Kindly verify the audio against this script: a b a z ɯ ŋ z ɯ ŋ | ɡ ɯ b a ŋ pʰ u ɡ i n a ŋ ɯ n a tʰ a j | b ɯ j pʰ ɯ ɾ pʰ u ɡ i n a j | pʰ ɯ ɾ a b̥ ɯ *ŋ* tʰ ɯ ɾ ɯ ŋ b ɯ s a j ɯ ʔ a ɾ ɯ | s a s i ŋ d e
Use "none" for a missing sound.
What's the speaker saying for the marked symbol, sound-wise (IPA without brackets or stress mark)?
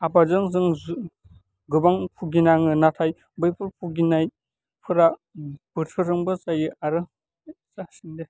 none